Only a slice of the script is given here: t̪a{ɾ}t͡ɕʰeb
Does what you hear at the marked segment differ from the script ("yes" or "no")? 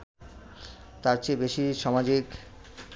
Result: no